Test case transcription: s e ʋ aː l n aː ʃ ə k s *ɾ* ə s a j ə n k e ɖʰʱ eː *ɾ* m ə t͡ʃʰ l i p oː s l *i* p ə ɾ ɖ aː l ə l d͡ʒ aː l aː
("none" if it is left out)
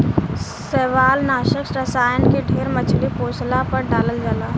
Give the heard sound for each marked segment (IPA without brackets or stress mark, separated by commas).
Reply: ɾ, ɾ, a